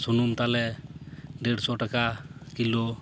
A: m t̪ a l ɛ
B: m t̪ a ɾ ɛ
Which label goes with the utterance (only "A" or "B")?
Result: A